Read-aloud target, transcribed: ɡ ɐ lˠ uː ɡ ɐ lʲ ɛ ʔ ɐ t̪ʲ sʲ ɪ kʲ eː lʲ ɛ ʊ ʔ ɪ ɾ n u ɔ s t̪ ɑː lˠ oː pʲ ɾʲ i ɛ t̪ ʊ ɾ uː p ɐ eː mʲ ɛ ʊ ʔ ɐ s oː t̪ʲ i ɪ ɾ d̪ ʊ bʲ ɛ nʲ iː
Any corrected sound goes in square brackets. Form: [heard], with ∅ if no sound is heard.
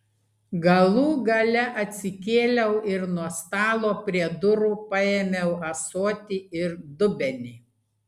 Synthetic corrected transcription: ɡ ɐ lˠ uː ɡ ɐ lʲ ɛ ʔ ɐ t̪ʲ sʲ ɪ kʲ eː lʲ ɛ ʊ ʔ ɪ ɾ n u ɔ s t̪ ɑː lˠ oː pʲ ɾʲ i ɛ [d̪] ʊ ɾ uː p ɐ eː mʲ ɛ ʊ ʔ ɐ s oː t̪ʲ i ɪ ɾ d̪ ʊ bʲ ɛ nʲ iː

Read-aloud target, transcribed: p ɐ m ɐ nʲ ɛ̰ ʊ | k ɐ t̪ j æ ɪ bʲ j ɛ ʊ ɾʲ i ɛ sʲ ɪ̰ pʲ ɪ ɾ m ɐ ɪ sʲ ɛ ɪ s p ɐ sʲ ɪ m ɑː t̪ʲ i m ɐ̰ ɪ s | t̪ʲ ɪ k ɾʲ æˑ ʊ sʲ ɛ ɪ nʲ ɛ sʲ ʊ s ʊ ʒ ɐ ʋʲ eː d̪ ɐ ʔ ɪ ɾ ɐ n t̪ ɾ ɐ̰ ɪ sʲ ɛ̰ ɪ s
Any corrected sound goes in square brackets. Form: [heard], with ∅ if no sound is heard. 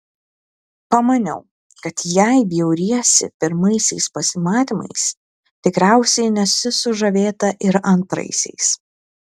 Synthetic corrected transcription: p ɐ m ɐ nʲ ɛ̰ ʊ | k ɐ t̪ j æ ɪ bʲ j ɛ ʊ ɾʲ i ɛ sʲ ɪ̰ pʲ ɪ ɾ m ɐ ɪ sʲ ɛ ɪ s p ɐ sʲ ɪ m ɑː t̪ʲ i m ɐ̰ ɪ s | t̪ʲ ɪ k ɾʲ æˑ ʊ sʲ ɛ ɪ nʲ ɛ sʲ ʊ s ʊ ʒ ɐ ʋʲ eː [t̪] ɐ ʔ ɪ ɾ ɐ n t̪ ɾ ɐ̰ ɪ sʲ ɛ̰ ɪ s

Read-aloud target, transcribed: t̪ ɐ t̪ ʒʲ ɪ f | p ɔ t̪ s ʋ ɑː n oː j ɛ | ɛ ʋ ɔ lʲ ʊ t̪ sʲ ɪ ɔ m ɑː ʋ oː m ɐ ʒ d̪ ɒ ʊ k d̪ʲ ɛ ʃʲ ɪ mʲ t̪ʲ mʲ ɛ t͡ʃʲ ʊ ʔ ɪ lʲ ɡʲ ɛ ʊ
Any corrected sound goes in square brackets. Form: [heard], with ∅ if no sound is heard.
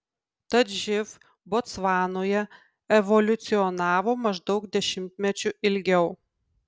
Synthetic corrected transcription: t̪ ɐ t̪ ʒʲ ɪ f | [b] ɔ t̪ s ʋ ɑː n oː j ɛ | ɛ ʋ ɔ lʲ ʊ t̪ sʲ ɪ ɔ [n] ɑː ʋ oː m ɐ ʒ d̪ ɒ ʊ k d̪ʲ ɛ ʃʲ ɪ mʲ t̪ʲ mʲ ɛ t͡ʃʲ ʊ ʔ ɪ lʲ ɡʲ ɛ ʊ

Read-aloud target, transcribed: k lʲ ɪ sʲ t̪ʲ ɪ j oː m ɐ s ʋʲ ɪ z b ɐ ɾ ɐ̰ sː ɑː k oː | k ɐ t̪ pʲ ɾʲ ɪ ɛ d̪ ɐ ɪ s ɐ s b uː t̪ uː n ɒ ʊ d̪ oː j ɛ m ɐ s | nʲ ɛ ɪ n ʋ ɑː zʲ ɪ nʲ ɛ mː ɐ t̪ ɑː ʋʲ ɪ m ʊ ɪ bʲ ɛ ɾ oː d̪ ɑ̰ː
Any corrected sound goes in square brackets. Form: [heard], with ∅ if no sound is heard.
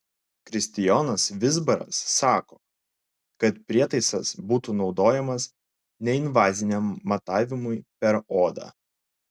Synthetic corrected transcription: k [ɾʲ] ɪ sʲ t̪ʲ ɪ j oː [n] ɐ s ʋʲ ɪ z b ɐ ɾ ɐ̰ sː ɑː k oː | k ɐ t̪ pʲ ɾʲ [i] ɛ [t̪] ɐ ɪ s ɐ s b uː t̪ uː n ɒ ʊ d̪ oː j ɛ m ɐ s | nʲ ɛ ɪ n ʋ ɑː zʲ ɪ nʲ ɛ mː ɐ t̪ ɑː ʋʲ ɪ m ʊ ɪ [pʲ] ɛ ɾ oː d̪ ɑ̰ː

